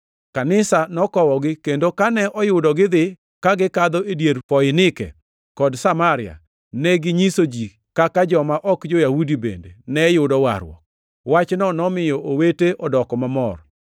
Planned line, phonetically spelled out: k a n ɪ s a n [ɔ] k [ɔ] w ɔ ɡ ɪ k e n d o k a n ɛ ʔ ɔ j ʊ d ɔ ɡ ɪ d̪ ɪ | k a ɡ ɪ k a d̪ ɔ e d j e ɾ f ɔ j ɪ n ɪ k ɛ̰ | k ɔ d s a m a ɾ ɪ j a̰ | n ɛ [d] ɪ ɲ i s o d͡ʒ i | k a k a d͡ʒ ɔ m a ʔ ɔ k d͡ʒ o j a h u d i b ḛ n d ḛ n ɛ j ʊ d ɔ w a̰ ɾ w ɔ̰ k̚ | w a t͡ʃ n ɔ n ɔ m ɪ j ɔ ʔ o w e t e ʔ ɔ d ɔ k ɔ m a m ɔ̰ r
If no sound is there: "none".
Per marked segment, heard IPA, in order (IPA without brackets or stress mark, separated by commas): ɔ, ɔ, ɡ